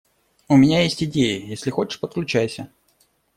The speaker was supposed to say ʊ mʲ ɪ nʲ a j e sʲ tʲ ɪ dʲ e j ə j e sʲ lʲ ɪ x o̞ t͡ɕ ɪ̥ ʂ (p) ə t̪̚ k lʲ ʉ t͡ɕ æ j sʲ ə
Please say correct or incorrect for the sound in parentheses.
correct